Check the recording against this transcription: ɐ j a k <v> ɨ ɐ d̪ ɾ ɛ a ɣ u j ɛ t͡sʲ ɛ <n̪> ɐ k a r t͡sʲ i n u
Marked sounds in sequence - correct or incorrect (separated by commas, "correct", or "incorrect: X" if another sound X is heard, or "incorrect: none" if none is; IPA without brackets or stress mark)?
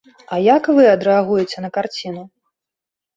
correct, correct